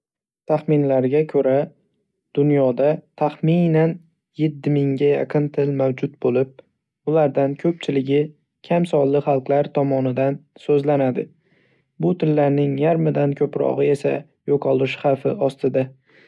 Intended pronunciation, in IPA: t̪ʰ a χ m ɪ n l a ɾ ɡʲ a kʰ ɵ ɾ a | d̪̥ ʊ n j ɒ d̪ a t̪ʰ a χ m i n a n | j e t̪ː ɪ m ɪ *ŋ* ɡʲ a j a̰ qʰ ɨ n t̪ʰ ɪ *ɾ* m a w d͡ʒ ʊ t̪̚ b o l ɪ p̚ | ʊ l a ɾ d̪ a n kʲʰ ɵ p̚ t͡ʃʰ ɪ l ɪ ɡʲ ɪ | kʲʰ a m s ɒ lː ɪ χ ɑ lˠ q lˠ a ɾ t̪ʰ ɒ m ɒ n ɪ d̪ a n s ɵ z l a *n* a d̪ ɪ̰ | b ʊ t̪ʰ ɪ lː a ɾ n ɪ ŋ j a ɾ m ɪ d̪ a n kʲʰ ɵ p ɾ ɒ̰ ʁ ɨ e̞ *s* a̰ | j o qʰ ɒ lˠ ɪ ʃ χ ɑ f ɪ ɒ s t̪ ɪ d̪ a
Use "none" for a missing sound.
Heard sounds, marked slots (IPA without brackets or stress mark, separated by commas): ŋ, l, n, s